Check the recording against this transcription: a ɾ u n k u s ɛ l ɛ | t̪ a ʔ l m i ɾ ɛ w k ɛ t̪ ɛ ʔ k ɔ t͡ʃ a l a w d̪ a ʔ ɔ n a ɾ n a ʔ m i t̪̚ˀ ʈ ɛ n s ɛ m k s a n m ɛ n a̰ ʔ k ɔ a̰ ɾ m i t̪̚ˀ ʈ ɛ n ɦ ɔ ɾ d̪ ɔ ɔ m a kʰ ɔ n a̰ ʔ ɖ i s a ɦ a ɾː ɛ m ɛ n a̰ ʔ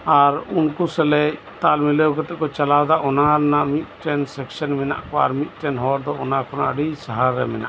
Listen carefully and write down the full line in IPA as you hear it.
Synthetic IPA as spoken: a ɾ u n k u s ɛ l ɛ | t̪ a l m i l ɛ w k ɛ t̪ ɛ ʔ k ɔ t͡ʃ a l a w d̪ a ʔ ɔ n a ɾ n a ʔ m i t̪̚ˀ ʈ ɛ n s ɛ k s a n m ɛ n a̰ ʔ k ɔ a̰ ɾ m i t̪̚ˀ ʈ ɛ n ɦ ɔ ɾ d̪ ɔ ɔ n a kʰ ɔ n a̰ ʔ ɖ i s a ɦ a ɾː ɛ m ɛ n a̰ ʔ